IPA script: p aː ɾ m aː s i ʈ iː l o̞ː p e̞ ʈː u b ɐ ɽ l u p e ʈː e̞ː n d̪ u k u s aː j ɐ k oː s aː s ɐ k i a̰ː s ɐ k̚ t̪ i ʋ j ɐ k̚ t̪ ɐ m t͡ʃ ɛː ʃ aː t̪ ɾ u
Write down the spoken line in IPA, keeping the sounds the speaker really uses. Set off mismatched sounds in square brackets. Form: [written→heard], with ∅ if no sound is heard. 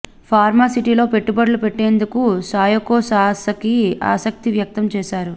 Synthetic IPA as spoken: [p→pʰ] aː ɾ m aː s i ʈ iː l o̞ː p e̞ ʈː u b ɐ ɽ l u p e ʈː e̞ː n d̪ u k u s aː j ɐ k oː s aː s ɐ k i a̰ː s ɐ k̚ t̪ i ʋ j ɐ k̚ t̪ ɐ m t͡ʃ ɛː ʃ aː [t̪→∅] ɾ u